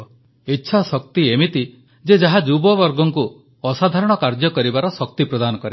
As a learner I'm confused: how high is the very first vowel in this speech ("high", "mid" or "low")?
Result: high